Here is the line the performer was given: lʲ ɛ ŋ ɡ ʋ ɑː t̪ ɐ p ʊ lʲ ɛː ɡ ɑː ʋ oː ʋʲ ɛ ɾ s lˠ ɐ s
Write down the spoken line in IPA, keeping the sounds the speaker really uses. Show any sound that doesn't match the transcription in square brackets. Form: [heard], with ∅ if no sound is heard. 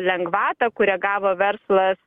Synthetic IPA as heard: lʲ ɛ ŋ ɡ ʋ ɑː t̪ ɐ [k] ʊ [ɾʲ] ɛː ɡ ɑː ʋ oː ʋʲ ɛ ɾ s lˠ ɐ s